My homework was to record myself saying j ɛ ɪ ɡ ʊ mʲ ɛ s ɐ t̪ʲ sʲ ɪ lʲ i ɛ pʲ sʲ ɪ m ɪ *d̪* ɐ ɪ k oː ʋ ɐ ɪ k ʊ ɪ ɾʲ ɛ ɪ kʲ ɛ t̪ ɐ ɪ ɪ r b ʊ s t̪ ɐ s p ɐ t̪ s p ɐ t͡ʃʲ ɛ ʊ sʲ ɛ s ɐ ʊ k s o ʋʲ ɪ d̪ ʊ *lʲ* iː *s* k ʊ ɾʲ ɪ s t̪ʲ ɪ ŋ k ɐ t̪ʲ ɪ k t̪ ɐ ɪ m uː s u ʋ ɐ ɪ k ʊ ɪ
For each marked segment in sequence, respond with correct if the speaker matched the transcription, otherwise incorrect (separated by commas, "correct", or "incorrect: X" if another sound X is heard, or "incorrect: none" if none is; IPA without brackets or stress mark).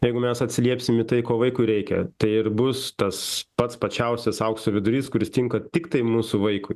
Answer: incorrect: t̪, incorrect: ɾʲ, correct